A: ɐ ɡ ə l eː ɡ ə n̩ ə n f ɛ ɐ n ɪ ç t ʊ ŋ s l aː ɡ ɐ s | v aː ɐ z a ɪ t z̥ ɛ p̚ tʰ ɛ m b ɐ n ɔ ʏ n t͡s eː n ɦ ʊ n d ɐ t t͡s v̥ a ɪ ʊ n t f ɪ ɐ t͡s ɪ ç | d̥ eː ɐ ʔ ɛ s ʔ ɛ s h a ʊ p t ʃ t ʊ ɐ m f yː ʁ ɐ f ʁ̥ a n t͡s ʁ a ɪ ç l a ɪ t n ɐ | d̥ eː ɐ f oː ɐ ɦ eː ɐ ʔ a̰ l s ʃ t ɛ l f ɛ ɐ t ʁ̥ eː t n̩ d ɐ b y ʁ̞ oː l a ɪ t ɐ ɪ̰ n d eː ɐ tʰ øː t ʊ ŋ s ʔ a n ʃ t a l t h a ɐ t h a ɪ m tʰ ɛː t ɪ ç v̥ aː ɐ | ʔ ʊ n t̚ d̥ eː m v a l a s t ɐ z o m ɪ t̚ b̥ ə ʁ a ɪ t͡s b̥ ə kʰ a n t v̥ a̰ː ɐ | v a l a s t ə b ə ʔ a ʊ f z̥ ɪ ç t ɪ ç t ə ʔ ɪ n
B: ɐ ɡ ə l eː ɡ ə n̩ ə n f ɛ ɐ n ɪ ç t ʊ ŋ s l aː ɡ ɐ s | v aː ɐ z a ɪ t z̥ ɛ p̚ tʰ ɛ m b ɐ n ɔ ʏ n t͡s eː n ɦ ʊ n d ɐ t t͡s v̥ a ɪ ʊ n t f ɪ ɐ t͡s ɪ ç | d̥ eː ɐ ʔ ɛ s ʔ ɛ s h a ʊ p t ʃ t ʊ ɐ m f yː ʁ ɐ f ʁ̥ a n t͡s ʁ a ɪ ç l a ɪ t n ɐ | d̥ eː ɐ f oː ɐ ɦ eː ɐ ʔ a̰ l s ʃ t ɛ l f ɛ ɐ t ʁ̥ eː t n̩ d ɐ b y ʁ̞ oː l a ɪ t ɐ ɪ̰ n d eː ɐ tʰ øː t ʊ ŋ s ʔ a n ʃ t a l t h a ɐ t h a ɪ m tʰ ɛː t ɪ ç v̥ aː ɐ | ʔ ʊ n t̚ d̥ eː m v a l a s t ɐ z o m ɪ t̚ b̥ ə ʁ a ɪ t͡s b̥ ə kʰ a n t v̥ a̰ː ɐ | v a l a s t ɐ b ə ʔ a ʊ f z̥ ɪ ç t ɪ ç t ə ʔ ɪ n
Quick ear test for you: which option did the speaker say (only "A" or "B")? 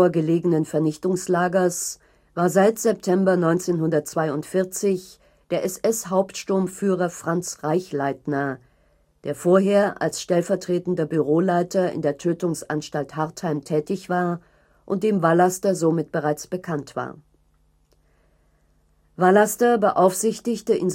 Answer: B